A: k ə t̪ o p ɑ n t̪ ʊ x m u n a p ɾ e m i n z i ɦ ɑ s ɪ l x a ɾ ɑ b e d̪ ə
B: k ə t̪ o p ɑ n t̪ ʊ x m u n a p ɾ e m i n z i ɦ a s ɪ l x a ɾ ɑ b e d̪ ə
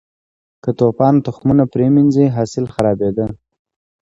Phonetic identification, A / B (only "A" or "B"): A